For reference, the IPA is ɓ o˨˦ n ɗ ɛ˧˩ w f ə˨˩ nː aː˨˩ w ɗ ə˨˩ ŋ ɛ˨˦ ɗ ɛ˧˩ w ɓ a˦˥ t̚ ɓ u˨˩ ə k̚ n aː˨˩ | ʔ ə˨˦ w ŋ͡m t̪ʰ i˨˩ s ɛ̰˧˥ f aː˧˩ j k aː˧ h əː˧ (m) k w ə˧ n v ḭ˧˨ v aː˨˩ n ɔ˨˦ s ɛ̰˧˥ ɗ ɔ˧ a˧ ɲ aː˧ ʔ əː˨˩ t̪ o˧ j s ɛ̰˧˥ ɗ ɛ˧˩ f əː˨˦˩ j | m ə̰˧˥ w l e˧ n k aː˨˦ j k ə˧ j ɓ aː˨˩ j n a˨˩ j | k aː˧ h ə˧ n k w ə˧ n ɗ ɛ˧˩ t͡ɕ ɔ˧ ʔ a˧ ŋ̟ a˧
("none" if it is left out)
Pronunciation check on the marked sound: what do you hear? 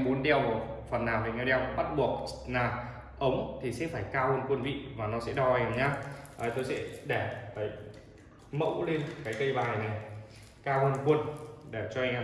n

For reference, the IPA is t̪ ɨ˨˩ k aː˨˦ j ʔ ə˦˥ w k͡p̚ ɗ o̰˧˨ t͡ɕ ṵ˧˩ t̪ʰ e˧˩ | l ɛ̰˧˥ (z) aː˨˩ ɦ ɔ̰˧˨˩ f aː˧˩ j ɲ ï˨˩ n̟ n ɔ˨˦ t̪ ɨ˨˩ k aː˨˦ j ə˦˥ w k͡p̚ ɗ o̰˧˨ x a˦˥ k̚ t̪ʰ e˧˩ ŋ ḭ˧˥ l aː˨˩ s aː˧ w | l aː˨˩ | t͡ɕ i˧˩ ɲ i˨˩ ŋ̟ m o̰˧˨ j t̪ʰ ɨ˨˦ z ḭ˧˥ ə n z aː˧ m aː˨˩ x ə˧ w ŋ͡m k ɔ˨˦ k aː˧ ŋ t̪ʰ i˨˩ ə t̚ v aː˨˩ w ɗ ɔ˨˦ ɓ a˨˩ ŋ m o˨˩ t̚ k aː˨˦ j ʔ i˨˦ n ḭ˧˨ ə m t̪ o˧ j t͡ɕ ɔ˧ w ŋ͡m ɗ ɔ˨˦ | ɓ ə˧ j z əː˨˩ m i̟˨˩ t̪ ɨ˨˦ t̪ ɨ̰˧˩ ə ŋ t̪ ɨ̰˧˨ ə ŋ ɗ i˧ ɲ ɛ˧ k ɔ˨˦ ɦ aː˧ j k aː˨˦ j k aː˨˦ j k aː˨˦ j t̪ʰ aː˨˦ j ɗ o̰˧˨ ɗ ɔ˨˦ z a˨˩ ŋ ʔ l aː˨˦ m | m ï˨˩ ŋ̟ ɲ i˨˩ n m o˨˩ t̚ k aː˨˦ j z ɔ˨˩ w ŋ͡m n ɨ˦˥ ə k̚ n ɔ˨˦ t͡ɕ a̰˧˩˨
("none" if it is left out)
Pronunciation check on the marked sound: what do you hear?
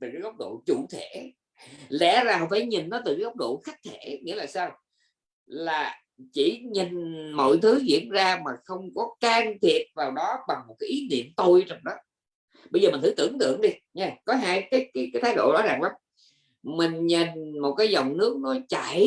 z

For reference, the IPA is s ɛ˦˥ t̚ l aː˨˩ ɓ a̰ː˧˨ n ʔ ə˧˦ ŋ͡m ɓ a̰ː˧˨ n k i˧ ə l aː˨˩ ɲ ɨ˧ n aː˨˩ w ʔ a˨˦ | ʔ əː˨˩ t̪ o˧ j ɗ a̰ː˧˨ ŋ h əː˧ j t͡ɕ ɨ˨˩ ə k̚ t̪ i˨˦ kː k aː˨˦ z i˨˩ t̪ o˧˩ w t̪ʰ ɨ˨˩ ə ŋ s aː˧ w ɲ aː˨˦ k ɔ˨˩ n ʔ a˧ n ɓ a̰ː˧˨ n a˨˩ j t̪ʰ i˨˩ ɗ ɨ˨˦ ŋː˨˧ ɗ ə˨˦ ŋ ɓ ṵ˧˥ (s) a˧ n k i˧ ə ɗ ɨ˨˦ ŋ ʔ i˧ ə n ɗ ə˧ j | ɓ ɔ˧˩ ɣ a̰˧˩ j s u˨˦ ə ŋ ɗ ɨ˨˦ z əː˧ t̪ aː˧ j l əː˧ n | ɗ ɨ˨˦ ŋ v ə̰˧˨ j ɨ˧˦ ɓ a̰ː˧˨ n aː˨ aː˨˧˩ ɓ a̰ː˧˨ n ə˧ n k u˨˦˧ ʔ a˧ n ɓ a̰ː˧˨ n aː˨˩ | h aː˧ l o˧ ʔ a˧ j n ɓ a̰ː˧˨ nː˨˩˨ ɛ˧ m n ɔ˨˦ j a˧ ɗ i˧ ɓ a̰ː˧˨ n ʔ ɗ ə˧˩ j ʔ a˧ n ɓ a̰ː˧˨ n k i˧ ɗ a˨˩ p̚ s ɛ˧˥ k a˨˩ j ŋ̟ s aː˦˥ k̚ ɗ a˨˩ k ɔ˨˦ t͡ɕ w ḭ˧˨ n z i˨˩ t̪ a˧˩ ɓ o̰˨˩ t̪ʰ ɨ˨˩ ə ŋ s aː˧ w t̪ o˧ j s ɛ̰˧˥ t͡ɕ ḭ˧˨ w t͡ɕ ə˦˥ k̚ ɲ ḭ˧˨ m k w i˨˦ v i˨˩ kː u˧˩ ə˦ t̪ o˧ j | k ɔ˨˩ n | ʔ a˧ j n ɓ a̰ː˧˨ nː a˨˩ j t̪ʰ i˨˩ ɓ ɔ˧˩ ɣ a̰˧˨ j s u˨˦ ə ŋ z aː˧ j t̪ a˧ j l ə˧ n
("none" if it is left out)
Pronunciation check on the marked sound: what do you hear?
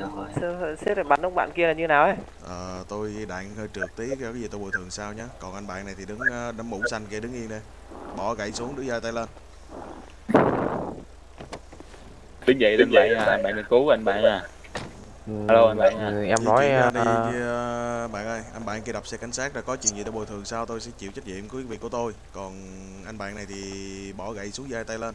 s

